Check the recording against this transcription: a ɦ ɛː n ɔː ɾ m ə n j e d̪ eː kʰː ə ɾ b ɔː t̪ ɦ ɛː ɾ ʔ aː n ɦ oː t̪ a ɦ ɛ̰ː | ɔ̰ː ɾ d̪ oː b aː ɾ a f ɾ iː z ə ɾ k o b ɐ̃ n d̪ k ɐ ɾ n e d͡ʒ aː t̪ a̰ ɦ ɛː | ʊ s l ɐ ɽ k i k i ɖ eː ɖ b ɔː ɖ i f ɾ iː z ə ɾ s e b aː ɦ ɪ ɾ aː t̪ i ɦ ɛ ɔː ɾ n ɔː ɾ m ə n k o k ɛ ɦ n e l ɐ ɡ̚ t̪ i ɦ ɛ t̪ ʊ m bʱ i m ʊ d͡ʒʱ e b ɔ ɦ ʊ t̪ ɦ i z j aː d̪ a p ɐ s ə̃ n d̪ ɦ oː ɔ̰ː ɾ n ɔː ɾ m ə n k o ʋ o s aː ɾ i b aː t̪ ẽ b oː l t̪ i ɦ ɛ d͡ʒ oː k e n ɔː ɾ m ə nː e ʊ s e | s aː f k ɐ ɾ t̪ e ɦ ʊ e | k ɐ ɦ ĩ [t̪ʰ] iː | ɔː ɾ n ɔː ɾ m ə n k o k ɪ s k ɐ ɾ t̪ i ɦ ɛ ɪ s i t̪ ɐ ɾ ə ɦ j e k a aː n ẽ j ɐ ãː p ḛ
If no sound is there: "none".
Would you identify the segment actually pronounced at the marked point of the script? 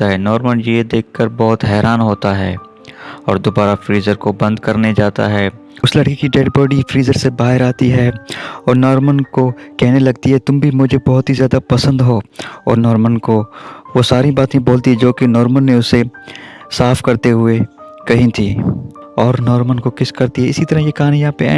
t̪ʰ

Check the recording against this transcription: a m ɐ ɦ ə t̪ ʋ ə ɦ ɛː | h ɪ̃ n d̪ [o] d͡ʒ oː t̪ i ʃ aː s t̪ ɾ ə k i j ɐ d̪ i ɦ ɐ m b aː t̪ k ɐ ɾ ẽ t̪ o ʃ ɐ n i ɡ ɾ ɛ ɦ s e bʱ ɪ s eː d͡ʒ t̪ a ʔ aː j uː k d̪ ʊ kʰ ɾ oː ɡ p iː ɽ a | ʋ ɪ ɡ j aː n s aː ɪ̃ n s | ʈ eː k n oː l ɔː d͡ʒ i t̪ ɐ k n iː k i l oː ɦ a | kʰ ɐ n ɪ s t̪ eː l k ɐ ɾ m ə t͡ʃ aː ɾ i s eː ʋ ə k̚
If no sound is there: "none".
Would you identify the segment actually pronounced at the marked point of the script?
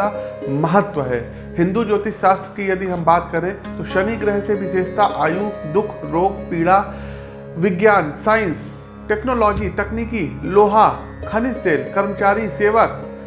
u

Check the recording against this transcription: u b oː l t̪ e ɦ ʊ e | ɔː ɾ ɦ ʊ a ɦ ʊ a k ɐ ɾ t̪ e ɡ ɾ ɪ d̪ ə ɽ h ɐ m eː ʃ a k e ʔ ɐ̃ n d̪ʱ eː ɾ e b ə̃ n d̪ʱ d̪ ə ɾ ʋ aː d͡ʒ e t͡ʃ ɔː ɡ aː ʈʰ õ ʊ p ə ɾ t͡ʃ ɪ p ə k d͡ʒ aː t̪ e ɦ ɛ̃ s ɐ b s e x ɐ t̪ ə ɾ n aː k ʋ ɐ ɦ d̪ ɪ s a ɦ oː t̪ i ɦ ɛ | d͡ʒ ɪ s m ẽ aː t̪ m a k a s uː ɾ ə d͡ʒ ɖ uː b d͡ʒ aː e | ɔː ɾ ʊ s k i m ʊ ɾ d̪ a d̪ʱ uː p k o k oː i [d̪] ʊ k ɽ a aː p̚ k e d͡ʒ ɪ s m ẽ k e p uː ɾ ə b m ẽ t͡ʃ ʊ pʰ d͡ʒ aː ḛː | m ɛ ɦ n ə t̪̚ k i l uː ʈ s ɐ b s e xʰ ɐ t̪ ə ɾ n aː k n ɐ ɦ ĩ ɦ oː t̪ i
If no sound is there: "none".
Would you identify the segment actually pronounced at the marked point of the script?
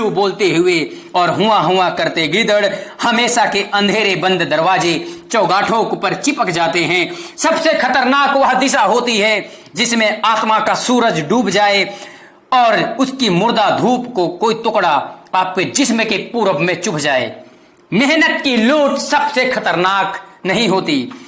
t̪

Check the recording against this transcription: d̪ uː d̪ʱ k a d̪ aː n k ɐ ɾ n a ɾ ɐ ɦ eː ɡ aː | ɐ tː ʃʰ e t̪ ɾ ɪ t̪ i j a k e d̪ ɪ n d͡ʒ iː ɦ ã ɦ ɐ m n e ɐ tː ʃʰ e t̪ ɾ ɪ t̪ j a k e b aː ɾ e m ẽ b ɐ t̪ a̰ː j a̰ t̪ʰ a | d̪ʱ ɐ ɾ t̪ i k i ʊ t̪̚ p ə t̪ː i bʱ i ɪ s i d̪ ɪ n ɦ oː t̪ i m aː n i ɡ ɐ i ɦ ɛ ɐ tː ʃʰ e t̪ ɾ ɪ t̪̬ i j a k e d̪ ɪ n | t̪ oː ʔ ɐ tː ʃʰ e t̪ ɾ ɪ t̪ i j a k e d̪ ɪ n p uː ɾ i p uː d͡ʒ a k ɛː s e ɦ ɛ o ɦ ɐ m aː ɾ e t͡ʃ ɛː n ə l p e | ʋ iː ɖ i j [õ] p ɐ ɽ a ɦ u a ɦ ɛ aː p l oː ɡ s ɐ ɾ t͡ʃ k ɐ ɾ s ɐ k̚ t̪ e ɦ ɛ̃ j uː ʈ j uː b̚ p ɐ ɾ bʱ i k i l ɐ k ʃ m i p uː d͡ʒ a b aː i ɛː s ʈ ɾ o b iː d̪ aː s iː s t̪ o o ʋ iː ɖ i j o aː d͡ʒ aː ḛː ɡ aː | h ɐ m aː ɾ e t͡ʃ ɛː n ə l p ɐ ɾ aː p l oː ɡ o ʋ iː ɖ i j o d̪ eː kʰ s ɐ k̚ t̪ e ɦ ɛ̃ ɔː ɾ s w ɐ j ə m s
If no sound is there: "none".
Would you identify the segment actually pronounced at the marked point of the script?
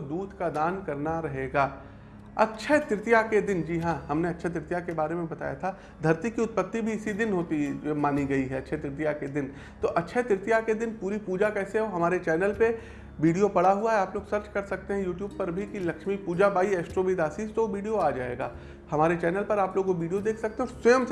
o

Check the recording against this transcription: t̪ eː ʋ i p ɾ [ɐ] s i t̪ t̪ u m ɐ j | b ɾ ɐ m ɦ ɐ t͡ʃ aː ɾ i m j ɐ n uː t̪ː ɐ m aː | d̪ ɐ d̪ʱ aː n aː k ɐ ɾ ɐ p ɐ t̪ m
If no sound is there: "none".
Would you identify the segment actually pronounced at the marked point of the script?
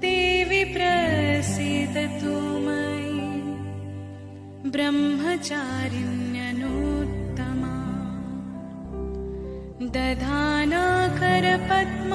ɐ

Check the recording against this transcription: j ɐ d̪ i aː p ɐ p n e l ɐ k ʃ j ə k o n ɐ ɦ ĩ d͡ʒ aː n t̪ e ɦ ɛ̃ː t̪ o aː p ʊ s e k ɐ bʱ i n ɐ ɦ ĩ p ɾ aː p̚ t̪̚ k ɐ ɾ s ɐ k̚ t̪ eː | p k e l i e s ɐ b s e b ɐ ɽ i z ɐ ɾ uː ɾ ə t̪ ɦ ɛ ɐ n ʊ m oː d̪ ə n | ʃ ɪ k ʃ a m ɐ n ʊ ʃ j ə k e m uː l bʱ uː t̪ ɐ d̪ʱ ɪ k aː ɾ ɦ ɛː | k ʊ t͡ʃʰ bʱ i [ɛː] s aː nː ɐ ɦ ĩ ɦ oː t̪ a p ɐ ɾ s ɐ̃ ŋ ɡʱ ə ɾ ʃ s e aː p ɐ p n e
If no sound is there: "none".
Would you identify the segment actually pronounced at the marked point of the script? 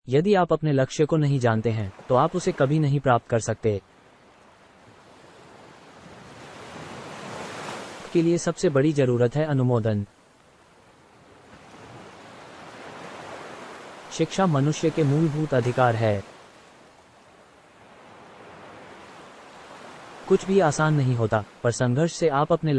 aː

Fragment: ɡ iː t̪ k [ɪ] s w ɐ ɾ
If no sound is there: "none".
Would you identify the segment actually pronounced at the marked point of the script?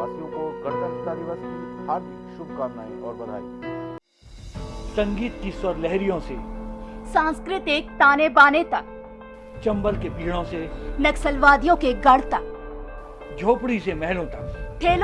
i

